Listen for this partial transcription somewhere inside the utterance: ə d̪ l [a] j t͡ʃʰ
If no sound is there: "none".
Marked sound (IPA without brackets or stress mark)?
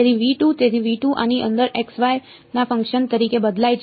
a